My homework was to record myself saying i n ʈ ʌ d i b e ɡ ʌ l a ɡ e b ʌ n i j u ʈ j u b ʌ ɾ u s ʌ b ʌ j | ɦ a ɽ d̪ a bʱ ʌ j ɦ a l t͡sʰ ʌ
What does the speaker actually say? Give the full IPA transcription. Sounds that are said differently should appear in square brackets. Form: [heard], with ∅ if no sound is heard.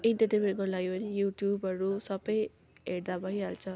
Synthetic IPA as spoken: i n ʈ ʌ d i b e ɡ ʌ l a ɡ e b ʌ n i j u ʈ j u b ʌ ɾ u s ʌ b ʌ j | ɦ [e] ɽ d̪ a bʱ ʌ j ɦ a l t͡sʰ ʌ